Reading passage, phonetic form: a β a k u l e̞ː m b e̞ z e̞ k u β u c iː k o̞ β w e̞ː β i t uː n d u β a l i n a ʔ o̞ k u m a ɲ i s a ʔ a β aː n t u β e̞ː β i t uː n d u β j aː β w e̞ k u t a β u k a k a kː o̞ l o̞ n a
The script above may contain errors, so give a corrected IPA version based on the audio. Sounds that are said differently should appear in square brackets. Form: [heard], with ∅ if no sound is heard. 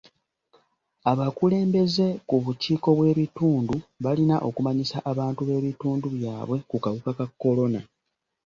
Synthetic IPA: a β a k u l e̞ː m b e̞ z e̞ k u β u c iː k o̞ β w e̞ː β i t uː n d u β a l i n a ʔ o̞ k u m a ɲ i s a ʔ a β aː n t u β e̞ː β i t uː n d u β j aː β w e̞ k u [k] a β u k a k a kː o̞ l o̞ n a